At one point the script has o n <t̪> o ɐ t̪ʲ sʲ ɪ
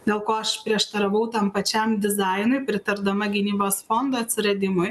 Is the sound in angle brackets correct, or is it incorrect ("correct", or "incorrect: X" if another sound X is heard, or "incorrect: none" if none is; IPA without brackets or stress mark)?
incorrect: d̪